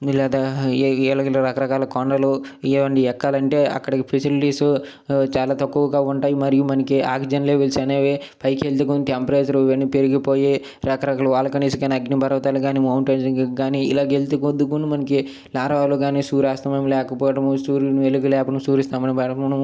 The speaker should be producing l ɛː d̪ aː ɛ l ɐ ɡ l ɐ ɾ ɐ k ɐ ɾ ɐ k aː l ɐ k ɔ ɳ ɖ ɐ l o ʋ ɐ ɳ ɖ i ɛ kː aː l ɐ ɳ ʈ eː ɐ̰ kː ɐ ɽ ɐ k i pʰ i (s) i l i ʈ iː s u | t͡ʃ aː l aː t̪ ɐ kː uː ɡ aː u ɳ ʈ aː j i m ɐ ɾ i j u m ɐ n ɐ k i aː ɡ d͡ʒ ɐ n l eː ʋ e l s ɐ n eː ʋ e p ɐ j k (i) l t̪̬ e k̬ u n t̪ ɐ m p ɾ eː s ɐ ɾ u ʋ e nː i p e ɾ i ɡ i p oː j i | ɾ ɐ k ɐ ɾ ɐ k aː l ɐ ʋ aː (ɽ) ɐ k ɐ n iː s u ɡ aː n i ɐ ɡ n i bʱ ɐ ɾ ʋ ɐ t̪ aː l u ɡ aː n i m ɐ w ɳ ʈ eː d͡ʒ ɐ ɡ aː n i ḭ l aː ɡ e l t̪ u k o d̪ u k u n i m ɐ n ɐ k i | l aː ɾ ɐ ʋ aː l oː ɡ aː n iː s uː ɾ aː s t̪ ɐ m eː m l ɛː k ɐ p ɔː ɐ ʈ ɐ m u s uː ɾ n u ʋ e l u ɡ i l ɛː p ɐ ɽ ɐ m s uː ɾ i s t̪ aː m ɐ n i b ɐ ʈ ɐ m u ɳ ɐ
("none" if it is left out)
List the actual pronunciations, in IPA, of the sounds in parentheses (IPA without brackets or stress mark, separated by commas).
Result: s, e, l